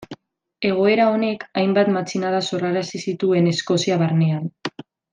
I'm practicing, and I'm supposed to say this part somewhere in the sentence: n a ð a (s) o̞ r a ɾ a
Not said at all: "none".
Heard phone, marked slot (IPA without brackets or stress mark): s